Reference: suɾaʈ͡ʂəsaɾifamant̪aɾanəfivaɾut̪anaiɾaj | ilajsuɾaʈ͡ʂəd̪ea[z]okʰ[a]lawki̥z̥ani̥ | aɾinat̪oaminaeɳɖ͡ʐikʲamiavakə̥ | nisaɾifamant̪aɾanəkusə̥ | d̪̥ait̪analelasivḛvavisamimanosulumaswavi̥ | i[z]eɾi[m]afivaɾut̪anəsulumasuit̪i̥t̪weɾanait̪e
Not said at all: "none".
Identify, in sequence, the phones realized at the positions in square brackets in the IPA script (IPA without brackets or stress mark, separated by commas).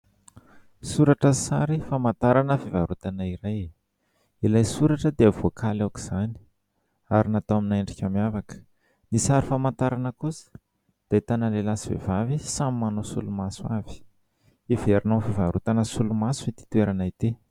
v, a, v, n